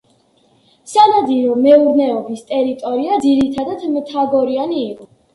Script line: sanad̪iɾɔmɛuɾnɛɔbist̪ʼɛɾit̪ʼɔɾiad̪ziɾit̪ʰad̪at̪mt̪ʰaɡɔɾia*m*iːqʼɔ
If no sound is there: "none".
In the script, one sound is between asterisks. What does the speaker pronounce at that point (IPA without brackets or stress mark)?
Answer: n